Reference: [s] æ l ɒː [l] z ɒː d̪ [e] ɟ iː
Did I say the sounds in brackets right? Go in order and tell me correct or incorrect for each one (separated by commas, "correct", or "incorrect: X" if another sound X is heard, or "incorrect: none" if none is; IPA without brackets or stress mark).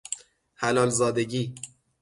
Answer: incorrect: h, correct, correct